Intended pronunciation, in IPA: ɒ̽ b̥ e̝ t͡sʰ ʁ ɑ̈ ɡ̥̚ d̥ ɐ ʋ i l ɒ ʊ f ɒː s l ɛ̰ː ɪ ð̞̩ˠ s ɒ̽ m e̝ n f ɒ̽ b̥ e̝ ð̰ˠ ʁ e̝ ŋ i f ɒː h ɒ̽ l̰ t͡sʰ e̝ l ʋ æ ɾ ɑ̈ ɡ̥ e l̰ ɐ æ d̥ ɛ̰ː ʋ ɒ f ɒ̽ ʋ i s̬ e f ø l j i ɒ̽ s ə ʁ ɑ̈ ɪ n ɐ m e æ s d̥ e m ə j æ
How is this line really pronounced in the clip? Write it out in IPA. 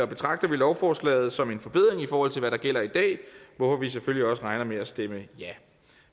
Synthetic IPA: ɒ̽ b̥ e̝ t͡sʰ ʁ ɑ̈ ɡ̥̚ d̥ ɐ ʋ i l ɒ ʊ f ɒː s l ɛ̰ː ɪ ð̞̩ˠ s ɒ̽ m e̝ n f ɒ̽ b̥ e̝ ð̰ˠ ʁ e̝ ŋ i f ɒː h ɒ̽ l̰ t͡sʰ e̝ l ʋ æ ɾ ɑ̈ ɡ̥ e l̰ ɐ i d̥ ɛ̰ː ʋ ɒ f ɒ̽ ʋ i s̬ e f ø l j i ɒ̽ s ə ʁ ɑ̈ ɪ n ɐ m e æ s d̥ e m ə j æ